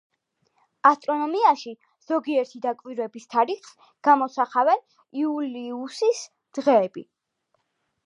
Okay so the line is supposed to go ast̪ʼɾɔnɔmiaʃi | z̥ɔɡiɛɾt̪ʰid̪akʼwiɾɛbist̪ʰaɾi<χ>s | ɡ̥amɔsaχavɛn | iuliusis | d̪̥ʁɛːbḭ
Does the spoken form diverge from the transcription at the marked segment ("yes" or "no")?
no